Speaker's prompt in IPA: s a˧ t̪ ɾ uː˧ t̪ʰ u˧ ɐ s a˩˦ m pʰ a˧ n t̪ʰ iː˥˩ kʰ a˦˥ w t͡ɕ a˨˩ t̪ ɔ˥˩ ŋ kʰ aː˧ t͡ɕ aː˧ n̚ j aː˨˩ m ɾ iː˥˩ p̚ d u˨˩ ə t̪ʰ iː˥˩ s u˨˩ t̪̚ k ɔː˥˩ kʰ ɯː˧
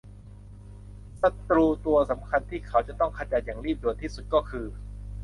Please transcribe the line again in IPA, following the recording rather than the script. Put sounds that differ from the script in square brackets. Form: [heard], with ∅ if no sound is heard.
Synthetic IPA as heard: s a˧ t̪ ɾ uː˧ [t̪] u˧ ɐ s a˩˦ m [kʰ] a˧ n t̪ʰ iː˥˩ kʰ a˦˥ w t͡ɕ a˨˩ t̪ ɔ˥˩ ŋ kʰ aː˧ t͡ɕ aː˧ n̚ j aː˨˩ [ŋ] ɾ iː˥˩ p̚ d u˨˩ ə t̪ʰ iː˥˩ s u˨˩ t̪̚ k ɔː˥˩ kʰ ɯː˧